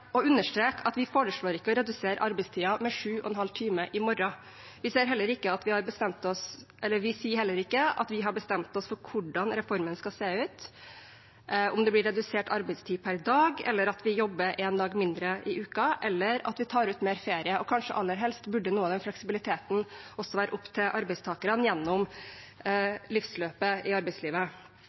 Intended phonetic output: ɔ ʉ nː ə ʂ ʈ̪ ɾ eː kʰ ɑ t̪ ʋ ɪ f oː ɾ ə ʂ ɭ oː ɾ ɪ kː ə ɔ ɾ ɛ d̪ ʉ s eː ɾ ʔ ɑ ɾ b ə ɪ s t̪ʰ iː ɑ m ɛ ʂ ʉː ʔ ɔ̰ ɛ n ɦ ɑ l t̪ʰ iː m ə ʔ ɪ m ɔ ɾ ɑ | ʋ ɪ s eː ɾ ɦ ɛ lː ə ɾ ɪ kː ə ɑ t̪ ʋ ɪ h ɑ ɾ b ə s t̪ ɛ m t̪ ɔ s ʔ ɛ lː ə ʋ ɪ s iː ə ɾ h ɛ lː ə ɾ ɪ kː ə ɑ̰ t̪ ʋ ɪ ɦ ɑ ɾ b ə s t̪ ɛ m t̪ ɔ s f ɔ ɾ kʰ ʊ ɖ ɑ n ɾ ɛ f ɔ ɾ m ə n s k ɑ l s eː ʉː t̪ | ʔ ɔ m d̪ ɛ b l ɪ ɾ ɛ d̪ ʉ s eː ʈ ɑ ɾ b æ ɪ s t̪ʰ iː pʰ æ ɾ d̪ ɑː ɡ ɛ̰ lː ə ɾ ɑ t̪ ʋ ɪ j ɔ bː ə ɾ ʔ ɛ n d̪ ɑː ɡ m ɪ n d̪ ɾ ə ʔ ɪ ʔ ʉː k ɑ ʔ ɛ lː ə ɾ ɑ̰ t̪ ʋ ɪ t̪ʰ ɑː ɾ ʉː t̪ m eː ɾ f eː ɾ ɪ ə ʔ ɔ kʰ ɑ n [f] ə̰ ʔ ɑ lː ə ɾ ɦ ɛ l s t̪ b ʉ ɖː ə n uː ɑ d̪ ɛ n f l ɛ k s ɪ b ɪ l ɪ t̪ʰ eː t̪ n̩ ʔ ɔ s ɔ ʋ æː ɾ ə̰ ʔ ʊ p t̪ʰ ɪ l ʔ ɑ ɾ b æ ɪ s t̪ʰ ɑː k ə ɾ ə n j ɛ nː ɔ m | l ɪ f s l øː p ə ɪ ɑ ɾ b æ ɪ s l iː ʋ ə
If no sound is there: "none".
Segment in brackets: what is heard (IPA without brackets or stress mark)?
ʂ